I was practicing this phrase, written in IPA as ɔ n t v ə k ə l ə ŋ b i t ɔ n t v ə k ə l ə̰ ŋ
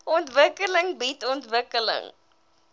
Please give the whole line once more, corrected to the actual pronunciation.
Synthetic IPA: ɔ n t v ə k ə l ə ŋ b i t ɔ n t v ə k ə l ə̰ ŋ